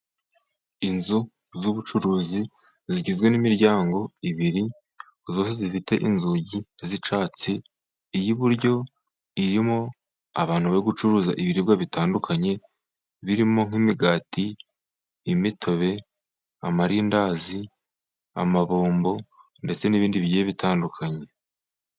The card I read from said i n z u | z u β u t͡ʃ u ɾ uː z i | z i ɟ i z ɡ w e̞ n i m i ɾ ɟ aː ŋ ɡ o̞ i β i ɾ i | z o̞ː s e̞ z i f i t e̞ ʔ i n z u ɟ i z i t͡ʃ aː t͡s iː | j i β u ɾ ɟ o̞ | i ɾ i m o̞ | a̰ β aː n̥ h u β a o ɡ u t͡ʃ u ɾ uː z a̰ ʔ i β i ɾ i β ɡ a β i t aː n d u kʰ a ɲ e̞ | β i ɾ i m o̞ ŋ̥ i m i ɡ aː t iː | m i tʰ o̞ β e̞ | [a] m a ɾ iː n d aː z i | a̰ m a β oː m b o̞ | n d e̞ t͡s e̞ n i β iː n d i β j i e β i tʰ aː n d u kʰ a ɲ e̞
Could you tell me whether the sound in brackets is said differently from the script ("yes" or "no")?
no